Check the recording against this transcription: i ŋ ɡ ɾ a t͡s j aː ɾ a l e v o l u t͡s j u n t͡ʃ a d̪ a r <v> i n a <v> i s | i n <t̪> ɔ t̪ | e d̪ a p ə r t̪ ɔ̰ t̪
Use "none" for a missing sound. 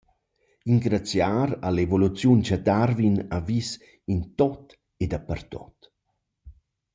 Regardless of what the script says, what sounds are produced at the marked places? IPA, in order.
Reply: v, v, t̪

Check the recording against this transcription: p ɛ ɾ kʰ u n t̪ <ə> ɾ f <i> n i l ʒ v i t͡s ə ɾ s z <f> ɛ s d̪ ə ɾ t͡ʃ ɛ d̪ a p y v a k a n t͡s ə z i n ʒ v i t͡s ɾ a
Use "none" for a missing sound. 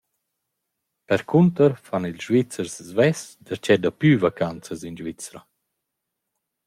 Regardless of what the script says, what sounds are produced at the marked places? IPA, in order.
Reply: ə, a, v

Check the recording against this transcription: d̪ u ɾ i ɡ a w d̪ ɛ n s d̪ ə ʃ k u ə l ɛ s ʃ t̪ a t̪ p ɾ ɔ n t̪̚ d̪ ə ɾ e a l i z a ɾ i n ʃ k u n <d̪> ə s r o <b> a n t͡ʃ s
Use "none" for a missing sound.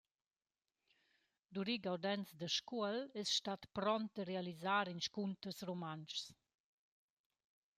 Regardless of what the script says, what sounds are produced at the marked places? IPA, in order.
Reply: t̪, m

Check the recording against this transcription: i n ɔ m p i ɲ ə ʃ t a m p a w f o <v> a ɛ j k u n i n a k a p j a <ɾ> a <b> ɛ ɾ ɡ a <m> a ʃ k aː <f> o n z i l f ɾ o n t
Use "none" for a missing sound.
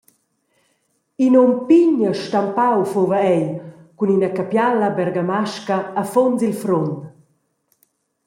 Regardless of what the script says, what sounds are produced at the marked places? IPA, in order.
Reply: v, l, b, m, f

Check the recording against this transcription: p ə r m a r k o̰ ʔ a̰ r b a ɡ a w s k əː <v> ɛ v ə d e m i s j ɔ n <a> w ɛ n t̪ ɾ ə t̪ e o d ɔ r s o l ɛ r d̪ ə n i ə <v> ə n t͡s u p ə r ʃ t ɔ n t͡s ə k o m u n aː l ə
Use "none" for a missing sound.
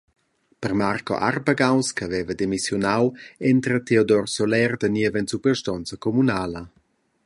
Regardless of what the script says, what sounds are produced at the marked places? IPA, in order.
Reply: v, a, v

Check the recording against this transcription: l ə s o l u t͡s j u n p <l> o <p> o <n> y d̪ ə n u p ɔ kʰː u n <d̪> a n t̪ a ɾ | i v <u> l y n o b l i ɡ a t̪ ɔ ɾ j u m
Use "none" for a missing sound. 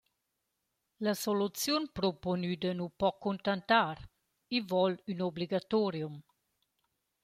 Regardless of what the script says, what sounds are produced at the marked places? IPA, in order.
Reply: ɾ, p, n, t̪, ɔ

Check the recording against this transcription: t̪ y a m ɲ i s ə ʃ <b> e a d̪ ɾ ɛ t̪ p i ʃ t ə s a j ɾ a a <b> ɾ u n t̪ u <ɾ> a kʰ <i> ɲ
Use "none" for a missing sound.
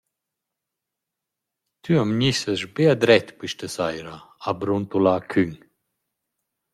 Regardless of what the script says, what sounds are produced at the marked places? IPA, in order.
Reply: b, b, l, y

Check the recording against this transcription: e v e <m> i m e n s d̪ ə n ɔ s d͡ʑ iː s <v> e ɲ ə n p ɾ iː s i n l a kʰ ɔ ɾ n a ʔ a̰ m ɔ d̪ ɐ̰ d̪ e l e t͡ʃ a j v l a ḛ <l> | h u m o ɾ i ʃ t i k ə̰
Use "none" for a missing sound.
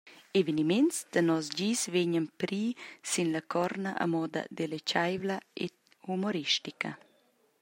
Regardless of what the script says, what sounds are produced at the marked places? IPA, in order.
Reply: n, v, none

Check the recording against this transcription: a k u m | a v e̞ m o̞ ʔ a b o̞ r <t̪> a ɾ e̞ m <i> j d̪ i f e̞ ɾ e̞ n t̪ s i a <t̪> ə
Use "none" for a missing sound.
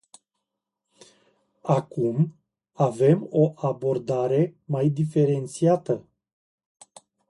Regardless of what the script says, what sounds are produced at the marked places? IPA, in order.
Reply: d̪, a, t̪

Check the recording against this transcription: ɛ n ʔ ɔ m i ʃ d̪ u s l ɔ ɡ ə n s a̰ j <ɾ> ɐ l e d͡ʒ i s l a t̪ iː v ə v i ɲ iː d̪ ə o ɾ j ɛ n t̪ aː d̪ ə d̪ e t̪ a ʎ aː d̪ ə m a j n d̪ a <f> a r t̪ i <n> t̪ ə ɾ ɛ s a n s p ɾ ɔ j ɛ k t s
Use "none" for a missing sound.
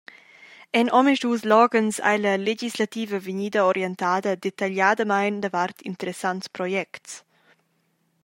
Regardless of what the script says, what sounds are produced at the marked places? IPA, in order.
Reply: l, v, n

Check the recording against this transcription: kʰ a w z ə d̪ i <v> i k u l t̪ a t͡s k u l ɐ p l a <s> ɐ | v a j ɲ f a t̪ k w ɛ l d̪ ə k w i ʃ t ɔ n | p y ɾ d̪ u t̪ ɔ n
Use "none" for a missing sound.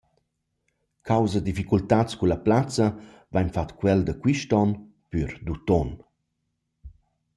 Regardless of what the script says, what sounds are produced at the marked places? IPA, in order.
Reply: f, t͡s

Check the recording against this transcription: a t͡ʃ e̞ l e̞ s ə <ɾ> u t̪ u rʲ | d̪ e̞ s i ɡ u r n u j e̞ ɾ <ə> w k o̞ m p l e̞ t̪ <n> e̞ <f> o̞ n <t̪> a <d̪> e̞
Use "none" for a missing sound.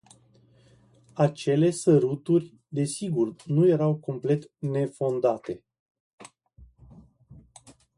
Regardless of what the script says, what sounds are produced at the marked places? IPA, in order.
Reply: ɾ, a, n, f, d̪, t̪

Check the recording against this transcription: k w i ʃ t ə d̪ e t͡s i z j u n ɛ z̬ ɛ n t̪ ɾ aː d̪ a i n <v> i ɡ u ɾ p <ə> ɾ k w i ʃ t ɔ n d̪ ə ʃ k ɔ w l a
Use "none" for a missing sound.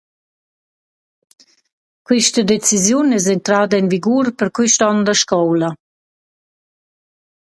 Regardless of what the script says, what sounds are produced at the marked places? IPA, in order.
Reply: v, ə

